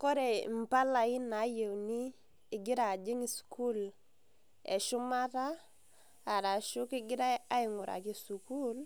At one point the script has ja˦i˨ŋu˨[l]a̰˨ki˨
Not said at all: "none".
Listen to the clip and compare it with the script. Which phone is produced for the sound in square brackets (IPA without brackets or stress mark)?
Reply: ɾ